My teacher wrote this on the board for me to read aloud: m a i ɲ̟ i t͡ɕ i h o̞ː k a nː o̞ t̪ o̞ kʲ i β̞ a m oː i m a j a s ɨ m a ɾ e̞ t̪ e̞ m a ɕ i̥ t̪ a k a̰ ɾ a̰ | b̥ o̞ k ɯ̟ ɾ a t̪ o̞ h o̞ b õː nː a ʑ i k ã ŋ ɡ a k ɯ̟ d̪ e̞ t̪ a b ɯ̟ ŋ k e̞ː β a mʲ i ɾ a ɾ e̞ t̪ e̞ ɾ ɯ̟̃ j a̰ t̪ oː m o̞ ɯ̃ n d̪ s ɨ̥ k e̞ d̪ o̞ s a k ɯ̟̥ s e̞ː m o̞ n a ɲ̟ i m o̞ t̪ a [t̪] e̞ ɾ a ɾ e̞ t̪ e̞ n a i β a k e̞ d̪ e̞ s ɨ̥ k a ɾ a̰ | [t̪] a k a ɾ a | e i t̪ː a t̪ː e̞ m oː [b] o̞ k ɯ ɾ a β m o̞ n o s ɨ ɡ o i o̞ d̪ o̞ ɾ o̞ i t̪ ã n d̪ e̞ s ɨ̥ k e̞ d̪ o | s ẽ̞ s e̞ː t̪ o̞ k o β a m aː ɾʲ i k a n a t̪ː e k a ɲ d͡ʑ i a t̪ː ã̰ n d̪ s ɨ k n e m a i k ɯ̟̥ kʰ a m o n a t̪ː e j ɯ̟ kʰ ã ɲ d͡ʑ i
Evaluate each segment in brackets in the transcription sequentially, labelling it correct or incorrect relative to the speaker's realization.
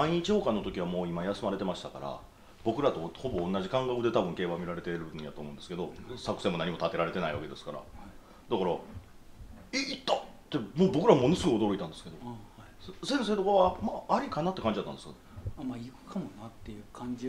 correct, incorrect: d̪, correct

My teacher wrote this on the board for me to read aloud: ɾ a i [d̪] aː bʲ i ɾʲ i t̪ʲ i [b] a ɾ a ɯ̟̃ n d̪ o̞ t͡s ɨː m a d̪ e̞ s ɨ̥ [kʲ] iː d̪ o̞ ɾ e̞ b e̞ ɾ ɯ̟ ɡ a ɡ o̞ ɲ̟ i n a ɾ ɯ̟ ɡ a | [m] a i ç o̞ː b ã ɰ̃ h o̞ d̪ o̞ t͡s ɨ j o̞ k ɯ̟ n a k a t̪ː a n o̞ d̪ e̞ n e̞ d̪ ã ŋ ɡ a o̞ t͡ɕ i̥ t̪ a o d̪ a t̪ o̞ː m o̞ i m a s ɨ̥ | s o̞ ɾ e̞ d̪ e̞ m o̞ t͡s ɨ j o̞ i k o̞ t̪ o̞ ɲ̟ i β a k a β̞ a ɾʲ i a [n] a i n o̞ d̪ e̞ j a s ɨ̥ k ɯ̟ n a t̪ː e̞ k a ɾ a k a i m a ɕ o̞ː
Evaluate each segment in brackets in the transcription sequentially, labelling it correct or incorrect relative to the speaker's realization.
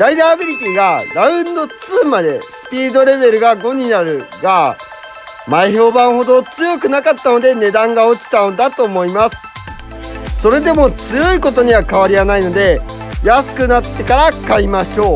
correct, incorrect: ɡ, incorrect: pʲ, correct, correct

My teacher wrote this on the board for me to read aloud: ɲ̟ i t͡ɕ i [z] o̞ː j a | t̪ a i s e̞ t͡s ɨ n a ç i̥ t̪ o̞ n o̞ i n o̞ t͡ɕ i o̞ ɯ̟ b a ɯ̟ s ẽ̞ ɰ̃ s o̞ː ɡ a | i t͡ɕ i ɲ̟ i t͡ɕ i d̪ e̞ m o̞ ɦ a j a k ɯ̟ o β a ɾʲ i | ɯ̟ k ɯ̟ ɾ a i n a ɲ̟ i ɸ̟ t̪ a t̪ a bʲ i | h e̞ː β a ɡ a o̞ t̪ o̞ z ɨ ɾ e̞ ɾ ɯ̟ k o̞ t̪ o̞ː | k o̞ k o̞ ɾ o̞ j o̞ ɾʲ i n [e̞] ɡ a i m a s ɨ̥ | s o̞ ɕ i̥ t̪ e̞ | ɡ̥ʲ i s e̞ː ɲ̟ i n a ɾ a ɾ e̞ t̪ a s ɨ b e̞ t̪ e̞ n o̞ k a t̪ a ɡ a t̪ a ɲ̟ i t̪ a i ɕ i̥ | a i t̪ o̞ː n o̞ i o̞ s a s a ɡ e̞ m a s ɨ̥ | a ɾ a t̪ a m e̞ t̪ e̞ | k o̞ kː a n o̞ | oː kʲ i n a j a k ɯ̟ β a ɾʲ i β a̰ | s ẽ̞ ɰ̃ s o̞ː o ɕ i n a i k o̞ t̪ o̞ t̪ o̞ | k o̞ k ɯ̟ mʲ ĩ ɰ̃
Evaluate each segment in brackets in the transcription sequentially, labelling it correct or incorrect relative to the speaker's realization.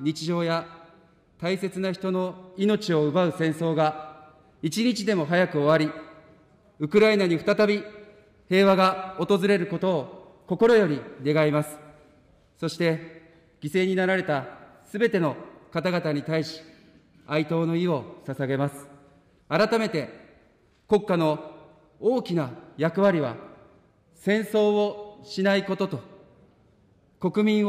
incorrect: ʑ, correct

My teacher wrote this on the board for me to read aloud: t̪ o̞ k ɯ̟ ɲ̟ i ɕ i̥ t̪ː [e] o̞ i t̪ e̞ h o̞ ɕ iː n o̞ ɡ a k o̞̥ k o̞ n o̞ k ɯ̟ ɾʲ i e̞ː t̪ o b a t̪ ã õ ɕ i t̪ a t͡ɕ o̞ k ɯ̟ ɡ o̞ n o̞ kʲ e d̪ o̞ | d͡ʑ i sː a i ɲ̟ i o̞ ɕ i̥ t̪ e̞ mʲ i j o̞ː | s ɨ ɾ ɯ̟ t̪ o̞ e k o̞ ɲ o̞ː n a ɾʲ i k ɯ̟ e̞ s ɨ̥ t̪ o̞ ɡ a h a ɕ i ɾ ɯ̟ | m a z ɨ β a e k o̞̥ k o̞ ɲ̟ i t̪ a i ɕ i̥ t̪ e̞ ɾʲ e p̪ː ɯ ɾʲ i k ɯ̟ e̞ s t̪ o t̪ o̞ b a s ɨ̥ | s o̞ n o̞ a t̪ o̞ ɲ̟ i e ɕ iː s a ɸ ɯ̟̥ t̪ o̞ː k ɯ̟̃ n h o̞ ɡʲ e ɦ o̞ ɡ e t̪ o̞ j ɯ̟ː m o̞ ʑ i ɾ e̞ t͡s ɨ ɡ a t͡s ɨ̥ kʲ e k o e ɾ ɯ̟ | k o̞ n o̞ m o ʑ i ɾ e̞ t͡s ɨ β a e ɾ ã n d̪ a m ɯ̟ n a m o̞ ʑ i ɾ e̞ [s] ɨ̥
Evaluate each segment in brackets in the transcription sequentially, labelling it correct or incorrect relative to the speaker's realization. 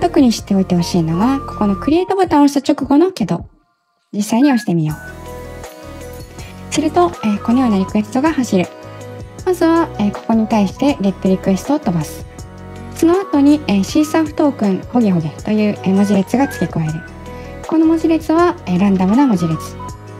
correct, incorrect: t͡s

